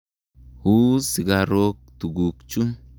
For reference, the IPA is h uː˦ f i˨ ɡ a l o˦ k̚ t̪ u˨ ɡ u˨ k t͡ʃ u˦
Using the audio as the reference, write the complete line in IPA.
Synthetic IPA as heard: h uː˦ s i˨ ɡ a ɾ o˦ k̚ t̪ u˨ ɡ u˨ k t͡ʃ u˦